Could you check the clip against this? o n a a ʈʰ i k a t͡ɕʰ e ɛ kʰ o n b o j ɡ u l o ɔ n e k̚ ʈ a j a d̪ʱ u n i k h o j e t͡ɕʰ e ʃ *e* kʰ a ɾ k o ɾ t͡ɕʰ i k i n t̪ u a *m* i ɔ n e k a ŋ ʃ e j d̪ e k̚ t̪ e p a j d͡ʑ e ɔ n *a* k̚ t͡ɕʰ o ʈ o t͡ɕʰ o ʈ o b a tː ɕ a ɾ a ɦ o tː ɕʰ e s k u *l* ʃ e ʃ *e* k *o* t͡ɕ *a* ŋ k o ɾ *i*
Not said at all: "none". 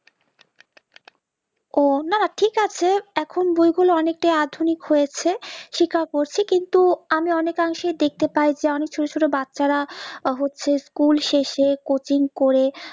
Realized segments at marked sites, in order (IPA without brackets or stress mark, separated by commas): i, m, e, l, e, o, i, e